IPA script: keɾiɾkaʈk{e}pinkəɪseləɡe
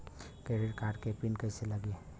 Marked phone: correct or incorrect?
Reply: correct